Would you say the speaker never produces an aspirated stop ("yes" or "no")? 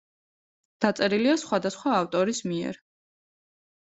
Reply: yes